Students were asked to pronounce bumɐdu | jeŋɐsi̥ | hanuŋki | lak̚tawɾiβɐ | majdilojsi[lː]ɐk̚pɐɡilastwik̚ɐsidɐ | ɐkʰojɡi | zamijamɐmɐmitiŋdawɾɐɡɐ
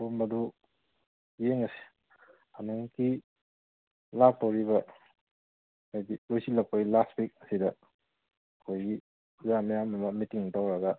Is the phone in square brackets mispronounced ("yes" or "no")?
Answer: yes